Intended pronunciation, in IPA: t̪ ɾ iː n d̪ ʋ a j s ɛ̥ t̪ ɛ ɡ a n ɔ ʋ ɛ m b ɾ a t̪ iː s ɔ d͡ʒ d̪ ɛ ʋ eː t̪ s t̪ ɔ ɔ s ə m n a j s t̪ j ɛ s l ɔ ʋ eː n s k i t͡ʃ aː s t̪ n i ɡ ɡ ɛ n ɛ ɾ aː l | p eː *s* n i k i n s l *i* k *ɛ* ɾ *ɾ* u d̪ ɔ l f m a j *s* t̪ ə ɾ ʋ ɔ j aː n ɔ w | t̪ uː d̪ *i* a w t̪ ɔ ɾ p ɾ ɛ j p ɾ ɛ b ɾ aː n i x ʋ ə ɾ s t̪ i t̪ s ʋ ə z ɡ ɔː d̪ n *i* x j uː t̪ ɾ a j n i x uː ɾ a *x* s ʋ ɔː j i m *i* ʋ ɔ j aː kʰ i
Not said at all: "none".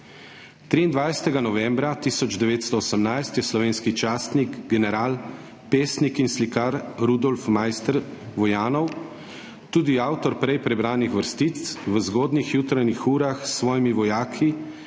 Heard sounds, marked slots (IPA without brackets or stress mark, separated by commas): s, i, a, ɾ, s, i, i, x, i